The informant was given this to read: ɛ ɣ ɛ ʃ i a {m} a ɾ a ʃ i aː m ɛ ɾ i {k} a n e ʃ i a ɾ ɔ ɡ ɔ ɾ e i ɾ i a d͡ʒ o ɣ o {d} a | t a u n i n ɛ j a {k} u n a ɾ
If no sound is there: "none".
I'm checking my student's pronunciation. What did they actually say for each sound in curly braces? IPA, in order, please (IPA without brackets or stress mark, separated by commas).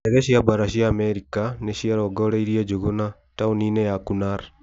b, k, n, k